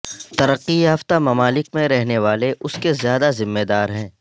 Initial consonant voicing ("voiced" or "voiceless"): voiceless